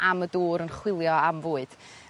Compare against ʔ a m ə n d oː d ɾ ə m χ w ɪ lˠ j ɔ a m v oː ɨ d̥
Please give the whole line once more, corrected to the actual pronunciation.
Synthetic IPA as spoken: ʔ a m ə d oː ɾ ə n χ w ɪ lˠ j ɔ a m v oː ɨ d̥